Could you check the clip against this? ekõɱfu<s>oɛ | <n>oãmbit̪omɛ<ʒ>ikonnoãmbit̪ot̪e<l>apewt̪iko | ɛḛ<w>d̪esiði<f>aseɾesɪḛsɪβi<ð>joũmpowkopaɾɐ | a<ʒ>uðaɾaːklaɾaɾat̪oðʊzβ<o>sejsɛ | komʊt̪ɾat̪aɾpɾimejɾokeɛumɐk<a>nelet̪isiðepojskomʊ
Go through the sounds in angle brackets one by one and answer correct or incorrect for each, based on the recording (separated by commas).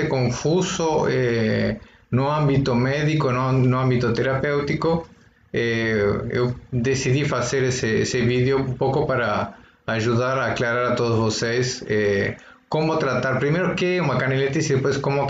correct, correct, incorrect, incorrect, correct, correct, correct, correct, correct, correct